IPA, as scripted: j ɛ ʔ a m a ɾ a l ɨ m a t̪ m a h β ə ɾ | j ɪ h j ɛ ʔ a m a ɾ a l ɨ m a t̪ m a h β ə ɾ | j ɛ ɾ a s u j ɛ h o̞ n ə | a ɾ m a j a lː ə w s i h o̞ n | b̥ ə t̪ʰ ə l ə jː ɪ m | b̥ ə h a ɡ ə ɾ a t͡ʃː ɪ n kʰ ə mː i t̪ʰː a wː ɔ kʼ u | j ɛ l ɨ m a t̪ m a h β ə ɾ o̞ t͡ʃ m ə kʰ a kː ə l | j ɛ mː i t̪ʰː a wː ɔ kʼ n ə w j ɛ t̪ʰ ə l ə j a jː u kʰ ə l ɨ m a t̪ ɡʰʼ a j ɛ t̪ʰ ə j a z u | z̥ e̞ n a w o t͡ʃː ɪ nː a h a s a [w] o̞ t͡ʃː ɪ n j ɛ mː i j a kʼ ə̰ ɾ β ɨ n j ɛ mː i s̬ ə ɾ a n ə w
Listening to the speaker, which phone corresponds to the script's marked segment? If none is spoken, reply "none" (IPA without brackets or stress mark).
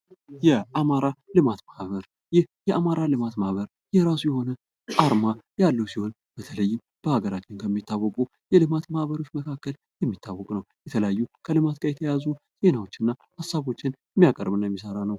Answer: β